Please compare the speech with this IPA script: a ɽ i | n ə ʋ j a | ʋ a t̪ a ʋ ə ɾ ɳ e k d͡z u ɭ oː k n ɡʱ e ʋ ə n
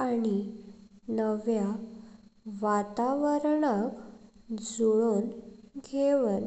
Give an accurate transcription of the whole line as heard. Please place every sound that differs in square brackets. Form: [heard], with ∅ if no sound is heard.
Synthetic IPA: a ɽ i | n ə ʋ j a | ʋ a t̪ a ʋ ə ɾ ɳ [a] k d͡z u ɭ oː [∅] n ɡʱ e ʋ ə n